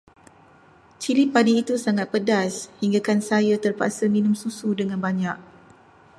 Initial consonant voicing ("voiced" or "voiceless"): voiceless